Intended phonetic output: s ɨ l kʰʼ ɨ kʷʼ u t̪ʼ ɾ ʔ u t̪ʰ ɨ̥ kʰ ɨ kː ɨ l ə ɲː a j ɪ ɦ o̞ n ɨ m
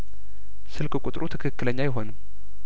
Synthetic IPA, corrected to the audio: s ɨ l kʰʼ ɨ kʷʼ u t̪ʼ ɾ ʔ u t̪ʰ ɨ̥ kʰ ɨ kː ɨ l ə ɲː a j ɪ ɦ o̞ n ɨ m